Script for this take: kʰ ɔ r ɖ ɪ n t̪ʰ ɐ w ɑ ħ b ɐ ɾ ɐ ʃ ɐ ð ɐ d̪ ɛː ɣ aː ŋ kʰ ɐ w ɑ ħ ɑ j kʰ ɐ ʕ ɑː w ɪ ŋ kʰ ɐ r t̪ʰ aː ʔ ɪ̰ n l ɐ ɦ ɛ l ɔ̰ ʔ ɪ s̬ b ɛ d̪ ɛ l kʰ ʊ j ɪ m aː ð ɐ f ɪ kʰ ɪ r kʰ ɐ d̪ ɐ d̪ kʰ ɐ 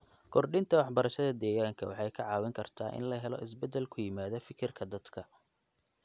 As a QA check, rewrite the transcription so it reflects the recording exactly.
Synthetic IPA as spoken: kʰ ɔ r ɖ ɪ n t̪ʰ ɐ w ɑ ħ b ɐ ɾ ɐ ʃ ɐ ð ɐ d̪ ɛː ɣ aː ŋ kʰ ɐ w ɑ ħ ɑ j kʰ ɐ ʕ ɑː w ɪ ŋ kʰ ɐ r t̪ʰ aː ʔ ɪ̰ n l ɐ ɦ ɛ l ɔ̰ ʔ ɪ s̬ b ɛ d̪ ɛ l kʰ ʊ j ɪ m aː ð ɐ f ɪ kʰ ɪ r kʰ ɐ d̪ ɐ d̪ kʰ ɐ